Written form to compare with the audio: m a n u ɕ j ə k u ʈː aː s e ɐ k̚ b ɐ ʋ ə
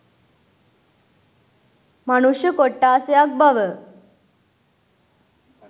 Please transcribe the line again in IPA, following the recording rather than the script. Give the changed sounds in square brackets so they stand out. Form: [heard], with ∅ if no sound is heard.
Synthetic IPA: m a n u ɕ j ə k [o] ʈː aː s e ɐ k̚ b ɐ ʋ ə